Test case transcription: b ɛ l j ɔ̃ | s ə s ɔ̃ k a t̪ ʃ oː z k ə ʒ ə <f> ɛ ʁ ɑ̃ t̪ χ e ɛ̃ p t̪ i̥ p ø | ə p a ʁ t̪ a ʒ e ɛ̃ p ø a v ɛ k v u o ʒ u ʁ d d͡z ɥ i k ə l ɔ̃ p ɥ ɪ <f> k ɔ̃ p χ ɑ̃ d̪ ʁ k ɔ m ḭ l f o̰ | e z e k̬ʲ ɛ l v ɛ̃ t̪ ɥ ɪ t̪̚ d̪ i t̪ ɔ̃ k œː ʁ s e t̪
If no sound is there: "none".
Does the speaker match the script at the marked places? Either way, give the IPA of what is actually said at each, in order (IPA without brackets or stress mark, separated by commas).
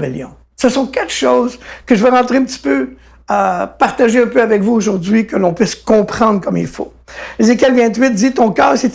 v, s